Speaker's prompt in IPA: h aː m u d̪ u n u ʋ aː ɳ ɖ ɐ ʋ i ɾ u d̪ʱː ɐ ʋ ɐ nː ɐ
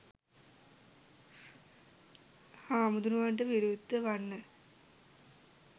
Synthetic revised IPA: h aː m u d̪ u n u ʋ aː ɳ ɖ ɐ ʋ i ɾ u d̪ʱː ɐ ʋ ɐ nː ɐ